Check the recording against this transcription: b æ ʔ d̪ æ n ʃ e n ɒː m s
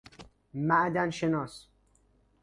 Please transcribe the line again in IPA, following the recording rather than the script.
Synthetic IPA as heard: m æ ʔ d̪ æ n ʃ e n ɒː s